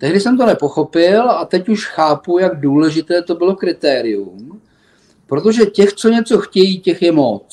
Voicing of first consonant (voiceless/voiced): voiceless